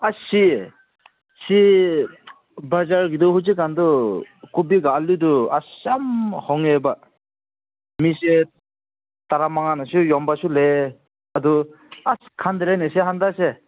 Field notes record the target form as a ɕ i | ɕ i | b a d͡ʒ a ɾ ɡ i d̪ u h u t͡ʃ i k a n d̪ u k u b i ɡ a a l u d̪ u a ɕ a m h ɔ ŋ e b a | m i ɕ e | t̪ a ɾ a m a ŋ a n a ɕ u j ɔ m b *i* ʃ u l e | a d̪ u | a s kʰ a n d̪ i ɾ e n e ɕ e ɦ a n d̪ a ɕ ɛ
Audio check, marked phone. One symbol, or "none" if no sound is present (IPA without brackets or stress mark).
a